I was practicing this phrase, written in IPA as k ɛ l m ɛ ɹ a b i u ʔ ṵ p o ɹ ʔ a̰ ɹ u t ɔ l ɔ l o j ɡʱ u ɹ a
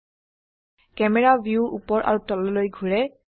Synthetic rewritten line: k ɛ m ɛ ɹ a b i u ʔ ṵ p ɔ ɹ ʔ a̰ ɹ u t ɔ l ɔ l o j ɡʱ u ɹ ɛ